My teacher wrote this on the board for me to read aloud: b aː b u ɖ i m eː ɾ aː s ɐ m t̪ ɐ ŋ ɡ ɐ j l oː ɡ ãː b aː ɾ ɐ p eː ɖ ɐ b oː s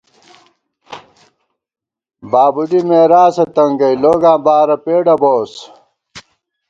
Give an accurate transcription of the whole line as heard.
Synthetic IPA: b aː b u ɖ i m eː ɾ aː s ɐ t̪ ɐ ŋ ɡ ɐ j l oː ɡ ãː b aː ɾ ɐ p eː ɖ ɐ b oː s